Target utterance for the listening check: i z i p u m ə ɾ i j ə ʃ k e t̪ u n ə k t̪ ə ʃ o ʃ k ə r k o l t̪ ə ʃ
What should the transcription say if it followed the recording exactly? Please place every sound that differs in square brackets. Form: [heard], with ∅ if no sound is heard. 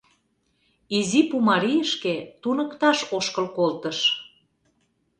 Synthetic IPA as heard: i z i p u m [ɑ] ɾ i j ə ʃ k e t̪ u n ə k t̪ [ɑ] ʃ o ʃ k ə [l] k o l t̪ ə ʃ